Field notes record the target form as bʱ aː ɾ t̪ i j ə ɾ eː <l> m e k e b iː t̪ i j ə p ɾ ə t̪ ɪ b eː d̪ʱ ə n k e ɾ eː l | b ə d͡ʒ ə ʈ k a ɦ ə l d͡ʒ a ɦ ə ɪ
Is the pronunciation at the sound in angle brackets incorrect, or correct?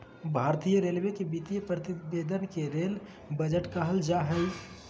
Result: correct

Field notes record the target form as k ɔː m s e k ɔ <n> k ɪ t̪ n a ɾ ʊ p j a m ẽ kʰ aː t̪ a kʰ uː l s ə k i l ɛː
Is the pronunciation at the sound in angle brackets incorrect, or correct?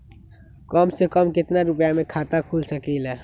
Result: incorrect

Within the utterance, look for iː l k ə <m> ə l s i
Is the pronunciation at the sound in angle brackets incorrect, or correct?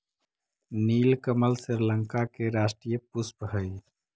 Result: correct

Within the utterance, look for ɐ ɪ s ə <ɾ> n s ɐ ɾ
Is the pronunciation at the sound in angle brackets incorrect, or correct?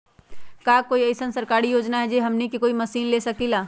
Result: incorrect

